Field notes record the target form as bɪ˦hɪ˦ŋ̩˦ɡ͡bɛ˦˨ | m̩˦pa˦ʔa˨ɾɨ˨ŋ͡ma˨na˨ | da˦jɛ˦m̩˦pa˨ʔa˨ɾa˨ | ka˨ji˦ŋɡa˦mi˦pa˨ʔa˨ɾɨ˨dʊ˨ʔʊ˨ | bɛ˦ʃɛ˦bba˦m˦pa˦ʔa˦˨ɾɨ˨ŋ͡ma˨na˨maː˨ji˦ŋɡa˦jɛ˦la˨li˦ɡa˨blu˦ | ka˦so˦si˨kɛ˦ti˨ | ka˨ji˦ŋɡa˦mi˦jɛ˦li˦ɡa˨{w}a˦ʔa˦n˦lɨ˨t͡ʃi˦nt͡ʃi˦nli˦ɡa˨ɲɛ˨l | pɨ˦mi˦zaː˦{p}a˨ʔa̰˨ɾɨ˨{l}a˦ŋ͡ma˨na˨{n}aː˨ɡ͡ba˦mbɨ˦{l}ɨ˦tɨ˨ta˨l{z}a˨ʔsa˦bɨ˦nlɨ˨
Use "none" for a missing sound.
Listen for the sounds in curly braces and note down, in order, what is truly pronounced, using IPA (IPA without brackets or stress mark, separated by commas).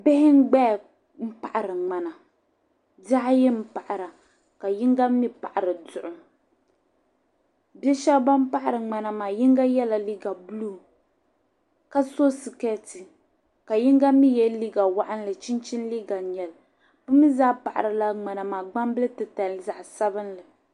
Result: w, p, l, m, l, z